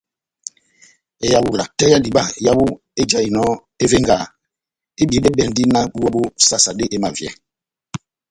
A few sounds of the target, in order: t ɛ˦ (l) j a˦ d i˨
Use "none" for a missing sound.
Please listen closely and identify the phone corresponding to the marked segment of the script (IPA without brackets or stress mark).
none